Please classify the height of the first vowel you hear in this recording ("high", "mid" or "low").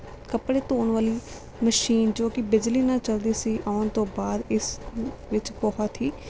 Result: mid